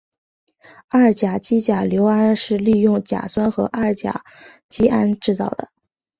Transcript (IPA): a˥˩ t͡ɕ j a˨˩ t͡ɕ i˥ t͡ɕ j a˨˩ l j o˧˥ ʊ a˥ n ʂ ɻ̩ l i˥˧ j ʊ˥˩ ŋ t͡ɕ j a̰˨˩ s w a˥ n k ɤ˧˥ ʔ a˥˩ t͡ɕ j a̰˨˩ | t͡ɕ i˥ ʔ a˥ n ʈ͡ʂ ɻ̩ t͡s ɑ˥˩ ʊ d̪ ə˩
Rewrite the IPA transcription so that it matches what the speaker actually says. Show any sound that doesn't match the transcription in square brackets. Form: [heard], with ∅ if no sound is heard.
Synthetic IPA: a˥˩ t͡ɕ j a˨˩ t͡ɕ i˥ t͡ɕ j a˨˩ l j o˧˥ ʊ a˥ n ʂ ɻ̩ l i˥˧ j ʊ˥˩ ŋ t͡ɕ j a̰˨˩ s w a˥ n [x] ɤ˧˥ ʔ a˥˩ t͡ɕ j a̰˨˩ | t͡ɕ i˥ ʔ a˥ n ʈ͡ʂ ɻ̩ t͡s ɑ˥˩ ʊ d̪ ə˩